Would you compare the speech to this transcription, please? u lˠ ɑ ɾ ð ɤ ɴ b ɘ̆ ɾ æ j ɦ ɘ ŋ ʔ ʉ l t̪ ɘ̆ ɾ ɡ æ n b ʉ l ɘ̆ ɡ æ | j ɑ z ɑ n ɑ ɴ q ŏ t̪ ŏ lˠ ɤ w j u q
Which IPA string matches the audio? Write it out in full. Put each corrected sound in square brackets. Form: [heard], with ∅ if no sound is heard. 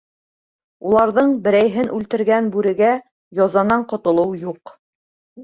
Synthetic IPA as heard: u lˠ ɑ ɾ ð ɤ ɴ b ɘ̆ ɾ æ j ɦ ɘ [n] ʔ ʉ l t̪ ɘ̆ ɾ ɡ æ n b ʉ [ɾ] ɘ̆ ɡ æ | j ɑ z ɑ n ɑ ɴ q ŏ t̪ ŏ lˠ ɤ w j u q